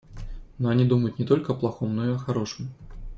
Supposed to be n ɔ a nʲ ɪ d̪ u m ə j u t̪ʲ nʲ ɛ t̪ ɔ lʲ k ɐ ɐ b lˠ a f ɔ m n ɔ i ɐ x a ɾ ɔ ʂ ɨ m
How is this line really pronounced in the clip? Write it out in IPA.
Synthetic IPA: n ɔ a nʲ i d̪ u m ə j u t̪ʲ nʲ ɛ t̪ ɔ lʲ k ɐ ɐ p lˠ a x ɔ m n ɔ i ɐ x a ɾ ɔ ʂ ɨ m